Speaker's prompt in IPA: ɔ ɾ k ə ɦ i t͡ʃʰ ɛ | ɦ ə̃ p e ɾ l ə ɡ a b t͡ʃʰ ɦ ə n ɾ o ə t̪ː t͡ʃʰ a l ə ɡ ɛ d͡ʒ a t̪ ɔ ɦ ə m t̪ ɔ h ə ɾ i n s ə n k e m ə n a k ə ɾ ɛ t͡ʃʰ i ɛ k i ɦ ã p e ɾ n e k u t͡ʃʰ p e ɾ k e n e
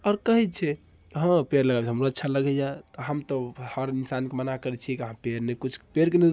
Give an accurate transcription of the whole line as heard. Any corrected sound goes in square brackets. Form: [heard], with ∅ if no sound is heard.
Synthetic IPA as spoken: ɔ ɾ k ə ɦ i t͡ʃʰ ɛ | ɦ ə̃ p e ɾ l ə ɡ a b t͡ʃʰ ɦ ə [m] ɾ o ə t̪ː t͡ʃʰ a l ə ɡ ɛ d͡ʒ a t̪ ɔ ɦ ə m t̪ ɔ h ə ɾ i n s [a] n k e m ə n a k ə ɾ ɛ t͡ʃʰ i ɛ k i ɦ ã p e ɾ n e k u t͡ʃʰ p e ɾ k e n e

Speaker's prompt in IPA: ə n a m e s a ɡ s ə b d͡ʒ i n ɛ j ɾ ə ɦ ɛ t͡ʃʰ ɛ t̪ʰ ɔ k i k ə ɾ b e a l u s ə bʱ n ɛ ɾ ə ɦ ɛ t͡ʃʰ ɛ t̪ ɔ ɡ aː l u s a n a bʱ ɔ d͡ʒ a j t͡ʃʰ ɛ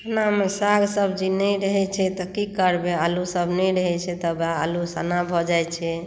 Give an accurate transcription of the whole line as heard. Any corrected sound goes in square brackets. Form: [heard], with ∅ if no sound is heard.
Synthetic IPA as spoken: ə n a m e s a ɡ s ə b d͡ʒ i n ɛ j ɾ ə ɦ ɛ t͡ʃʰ ɛ [t̪] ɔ k i k ə ɾ b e a l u s ə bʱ n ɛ ɾ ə ɦ ɛ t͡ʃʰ ɛ t̪ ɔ [b] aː l u s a n a bʱ ɔ d͡ʒ a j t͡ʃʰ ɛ

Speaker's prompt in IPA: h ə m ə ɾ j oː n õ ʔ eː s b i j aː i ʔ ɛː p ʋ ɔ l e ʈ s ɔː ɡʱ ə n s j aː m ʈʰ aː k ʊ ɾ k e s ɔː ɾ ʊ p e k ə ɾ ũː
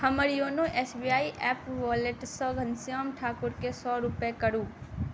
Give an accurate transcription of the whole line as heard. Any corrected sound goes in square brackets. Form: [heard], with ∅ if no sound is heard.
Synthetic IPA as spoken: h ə m ə ɾ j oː n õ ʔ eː s b i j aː i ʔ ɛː p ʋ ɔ l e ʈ s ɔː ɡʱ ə n s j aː m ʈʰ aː k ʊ ɾ k e s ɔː ɾ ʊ p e k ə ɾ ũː

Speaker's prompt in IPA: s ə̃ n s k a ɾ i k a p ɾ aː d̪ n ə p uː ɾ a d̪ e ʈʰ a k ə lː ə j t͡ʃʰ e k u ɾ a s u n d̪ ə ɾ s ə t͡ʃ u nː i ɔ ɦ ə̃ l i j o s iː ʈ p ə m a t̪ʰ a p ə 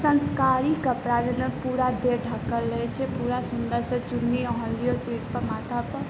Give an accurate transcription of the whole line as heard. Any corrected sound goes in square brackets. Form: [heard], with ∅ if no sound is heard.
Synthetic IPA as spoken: s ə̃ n s k a ɾ i k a p ɾ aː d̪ n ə p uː ɾ a d̪ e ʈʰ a k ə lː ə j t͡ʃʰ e [p] u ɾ a s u n d̪ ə ɾ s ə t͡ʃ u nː i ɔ ɦ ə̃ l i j o s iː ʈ p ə m a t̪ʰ a p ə

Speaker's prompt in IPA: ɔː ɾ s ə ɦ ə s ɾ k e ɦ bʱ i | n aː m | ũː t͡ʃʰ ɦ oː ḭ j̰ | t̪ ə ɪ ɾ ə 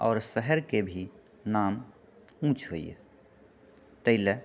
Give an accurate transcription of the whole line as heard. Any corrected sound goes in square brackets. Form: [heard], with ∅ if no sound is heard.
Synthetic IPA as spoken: ɔː ɾ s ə ɦ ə [∅] ɾ k e [∅] bʱ i | n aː m | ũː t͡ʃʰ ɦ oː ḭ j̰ | t̪ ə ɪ [l] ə

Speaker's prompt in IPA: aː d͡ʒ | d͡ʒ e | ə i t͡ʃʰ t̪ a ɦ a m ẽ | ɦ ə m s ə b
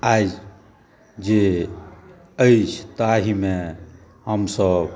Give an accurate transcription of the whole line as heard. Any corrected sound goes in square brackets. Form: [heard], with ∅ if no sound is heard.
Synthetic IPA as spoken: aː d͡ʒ | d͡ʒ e | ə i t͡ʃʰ t̪ a ɦ [i] m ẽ | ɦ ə m s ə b

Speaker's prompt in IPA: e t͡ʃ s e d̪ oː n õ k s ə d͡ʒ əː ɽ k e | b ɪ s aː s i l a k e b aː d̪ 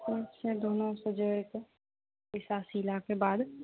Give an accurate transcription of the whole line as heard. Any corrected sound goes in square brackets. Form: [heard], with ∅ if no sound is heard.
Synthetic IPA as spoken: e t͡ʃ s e d̪ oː n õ [∅] s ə d͡ʒ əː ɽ k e | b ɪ s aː s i l a k e b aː d̪

